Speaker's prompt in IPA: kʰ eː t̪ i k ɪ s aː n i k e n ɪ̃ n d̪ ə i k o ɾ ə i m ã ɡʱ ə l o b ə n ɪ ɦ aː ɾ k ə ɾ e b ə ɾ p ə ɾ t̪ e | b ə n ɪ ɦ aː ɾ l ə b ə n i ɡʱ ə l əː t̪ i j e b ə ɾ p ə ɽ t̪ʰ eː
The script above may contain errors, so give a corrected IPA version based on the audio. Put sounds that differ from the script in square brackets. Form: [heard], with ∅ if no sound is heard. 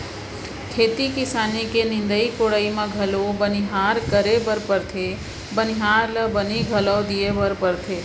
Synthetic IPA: kʰ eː t̪ i k ɪ s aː n i k e n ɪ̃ n d̪ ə i k o [ɽ] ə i m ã ɡʱ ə l o b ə n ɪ ɦ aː ɾ k ə ɾ e b ə ɾ p ə ɾ [t̪ʰ] e | b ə n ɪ ɦ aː ɾ l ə b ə n i ɡʱ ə l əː [d̪] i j e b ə ɾ p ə [ɾ] t̪ʰ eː